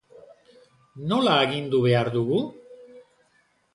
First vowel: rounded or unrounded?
rounded